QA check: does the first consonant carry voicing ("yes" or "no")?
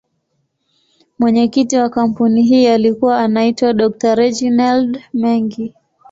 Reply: yes